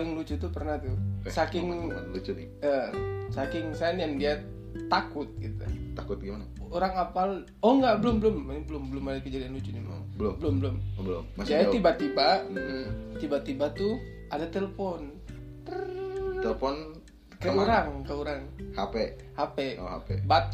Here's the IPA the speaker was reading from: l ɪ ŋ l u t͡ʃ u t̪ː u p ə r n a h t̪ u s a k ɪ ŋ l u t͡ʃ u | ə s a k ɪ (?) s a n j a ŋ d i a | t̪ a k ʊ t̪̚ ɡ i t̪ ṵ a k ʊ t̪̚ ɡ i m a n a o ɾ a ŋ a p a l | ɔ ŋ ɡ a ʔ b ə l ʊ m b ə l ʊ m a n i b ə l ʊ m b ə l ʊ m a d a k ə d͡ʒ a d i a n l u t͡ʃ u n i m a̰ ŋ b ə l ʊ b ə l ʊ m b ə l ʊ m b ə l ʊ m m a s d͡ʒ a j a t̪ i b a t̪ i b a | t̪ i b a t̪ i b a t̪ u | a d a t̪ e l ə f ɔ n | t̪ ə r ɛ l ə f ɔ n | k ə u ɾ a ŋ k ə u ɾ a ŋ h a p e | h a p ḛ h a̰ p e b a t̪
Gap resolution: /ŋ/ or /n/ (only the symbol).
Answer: ŋ